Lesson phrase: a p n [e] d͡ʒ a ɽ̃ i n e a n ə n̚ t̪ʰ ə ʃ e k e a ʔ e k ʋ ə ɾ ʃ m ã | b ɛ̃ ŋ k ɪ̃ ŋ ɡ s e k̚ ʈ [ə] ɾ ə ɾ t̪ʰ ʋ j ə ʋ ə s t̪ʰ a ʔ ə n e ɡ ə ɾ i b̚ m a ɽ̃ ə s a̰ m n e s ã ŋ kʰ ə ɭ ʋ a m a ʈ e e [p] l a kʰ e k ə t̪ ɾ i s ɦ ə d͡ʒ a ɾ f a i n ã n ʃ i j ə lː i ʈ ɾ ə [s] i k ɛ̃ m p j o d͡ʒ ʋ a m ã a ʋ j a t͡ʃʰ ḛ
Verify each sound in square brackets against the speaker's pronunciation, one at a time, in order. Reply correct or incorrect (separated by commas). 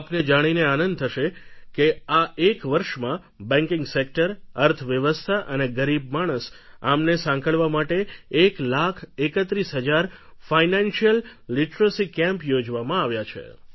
correct, correct, incorrect, correct